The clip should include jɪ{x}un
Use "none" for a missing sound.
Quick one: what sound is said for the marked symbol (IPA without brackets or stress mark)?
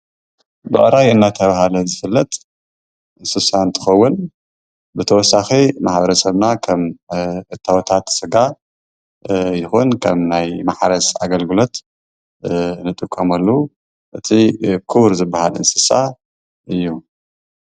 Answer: x